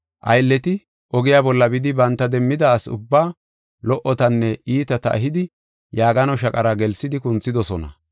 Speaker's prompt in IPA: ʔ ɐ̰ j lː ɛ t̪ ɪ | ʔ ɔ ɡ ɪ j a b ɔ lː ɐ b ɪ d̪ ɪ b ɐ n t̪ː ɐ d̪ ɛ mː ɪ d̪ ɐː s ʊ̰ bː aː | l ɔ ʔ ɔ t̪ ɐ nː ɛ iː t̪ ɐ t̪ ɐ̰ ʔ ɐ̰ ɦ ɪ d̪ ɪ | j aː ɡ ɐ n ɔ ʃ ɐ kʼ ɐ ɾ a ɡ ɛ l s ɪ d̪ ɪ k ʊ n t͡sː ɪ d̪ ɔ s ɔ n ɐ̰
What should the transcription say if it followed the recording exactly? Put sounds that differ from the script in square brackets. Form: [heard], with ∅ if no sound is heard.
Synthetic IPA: ʔ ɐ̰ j lː ɛ t̪ ɪ | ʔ ɔ ɡ ɪ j a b ɔ lː ɐ b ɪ d̪ ɪ b ɐ n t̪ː ɐ d̪ ɛ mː ɪ d̪ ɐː s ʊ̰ bː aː | l ɔ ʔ ɔ t̪ ɐ nː ɛ iː t̪ ɐ t̪ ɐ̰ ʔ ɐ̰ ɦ ɪ d̪ ɪ | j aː ɡ ɐ n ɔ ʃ ɐ kʼ ɐ ɾ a ɡ ɛ l s ɪ d̪ ɪ k ʊ n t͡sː ɪ d̪ ɔ s ɔ n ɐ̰

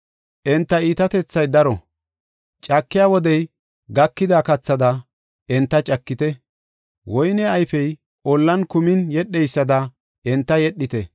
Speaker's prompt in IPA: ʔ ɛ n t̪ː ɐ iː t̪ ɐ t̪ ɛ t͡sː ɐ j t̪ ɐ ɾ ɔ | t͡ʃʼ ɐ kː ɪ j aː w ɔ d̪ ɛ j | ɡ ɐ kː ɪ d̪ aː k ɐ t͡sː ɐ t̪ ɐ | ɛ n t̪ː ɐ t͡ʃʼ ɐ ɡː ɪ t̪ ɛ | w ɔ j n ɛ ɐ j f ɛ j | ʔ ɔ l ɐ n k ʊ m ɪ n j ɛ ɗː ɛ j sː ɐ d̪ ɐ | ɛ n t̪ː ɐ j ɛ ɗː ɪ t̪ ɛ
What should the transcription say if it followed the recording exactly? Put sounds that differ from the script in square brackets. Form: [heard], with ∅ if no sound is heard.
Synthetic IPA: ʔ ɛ n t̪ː ɐ iː t̪ ɐ t̪ ɛ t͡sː ɐ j [d̪] ɐ ɾ ɔ | t͡ʃʼ ɐ kː ɪ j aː w ɔ d̪ ɛ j | ɡ ɐ kː ɪ d̪ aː k ɐ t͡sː ɐ [d̪] ɐ | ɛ n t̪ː ɐ t͡ʃʼ ɐ [kː] ɪ t̪ ɛ | w ɔ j n ɛ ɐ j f ɛ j | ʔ ɔ [lː] ɐ n k ʊ m ɪ n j ɛ ɗː ɛ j sː ɐ d̪ ɐ | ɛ n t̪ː ɐ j ɛ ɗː ɪ t̪ ɛ

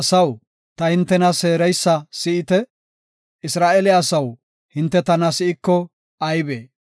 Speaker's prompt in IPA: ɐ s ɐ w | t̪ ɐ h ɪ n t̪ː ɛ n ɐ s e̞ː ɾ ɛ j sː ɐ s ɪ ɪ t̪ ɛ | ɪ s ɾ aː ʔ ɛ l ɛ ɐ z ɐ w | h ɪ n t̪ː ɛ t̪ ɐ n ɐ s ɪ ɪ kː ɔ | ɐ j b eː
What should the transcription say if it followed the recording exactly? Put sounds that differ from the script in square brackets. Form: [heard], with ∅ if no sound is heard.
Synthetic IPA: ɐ s ɐ w | t̪ ɐ h ɪ n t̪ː ɛ n ɐ s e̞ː ɾ ɛ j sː ɐ s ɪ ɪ t̪ ɛ | ɪ s ɾ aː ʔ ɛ l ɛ ɐ [s] ɐ w | h ɪ n t̪ː ɛ t̪ ɐ n ɐ s ɪ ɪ kː ɔ | ɐ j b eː

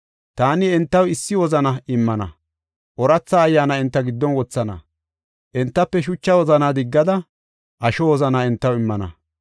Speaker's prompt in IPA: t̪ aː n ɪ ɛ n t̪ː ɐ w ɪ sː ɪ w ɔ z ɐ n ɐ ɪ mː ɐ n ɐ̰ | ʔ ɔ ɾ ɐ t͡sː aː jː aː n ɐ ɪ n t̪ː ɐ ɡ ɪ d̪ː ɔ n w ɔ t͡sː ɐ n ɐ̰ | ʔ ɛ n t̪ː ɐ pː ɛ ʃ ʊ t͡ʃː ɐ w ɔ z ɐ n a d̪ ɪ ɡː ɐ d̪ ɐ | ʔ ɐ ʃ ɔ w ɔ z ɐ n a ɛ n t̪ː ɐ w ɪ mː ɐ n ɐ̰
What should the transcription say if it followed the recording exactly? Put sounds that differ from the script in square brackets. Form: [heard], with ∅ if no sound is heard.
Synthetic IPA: t̪ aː n ɪ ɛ n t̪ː ɐ w ɪ sː ɪ w ɔ z ɐ n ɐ ɪ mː ɐ n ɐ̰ | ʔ ɔ ɾ ɐ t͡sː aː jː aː n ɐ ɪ n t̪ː ɐ ɡ ɪ d̪ː ɔ n w ɔ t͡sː ɐ n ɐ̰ | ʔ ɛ n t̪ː ɐ pː ɛ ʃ ʊ t͡ʃː ɐ w ɔ z ɐ n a d̪ ɪ ɡː ɐ d̪ ɐ | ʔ ɐ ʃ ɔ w ɔ z ɐ n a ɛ n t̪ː ɐ w ɪ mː ɐ n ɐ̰

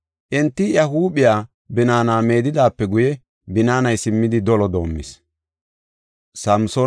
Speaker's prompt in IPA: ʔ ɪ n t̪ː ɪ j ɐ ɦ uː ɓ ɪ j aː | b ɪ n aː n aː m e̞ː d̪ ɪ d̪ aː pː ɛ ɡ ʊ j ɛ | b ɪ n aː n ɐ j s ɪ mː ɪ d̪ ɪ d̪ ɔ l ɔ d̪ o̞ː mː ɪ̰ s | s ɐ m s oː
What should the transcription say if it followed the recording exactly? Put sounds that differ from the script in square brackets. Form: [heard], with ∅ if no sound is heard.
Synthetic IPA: ʔ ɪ n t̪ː ɪ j ɐ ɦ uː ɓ ɪ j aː | b ɪ n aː n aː m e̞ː d̪ ɪ d̪ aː pː ɛ ɡ ʊ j ɛ | b ɪ n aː n ɐ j s ɪ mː ɪ d̪ ɪ d̪ ɔ l ɔ d̪ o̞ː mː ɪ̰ s | s ɐ m s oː

